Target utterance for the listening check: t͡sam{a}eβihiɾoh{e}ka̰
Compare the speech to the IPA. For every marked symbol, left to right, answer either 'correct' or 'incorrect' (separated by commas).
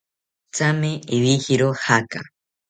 incorrect, incorrect